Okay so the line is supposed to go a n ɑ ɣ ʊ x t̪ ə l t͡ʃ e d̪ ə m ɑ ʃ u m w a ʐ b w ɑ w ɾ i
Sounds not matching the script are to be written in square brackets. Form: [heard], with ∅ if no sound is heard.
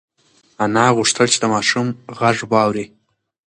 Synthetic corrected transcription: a n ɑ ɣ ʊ [ʂ] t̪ ə l t͡ʃ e d̪ ə m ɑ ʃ u m [ɣ] a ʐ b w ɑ w ɾ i